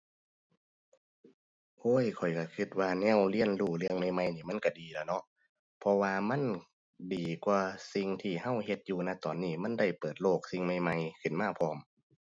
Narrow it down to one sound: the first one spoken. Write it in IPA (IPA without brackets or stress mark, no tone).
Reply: ʔ